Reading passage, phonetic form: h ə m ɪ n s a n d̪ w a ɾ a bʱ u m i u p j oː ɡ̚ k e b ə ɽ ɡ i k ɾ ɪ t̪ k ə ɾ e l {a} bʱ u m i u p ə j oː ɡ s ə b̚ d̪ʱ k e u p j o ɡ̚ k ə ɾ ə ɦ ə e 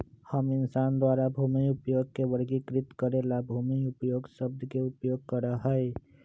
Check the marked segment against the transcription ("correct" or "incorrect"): correct